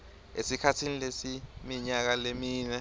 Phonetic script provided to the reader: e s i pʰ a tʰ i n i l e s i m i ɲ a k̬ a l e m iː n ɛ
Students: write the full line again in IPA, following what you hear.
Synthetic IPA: e s i kʰ a tʰ i n i l e s i m i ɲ a k̬ a l e m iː n ɛ